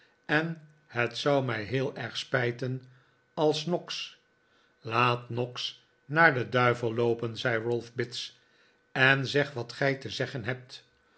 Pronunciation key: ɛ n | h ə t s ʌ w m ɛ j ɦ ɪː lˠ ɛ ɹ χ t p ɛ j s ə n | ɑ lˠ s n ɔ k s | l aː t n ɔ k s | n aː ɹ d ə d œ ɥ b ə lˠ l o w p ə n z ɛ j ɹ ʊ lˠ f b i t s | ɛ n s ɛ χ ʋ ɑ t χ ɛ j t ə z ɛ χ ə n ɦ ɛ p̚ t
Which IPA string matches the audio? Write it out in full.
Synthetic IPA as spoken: ɛ n | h ə t s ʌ w m ɛ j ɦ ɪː lˠ ɛ ɹ χ s p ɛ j t ə n | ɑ lˠ s n ɔ k s | l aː t n ɔ k s | n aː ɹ d ə d œ ɥ v ə lˠ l o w p ə n z ɛ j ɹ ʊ lˠ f b ɪ t s | ɛ n z ɛ χ ʋ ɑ t χ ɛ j t ə z ɛ χ ə n ɦ ɛ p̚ t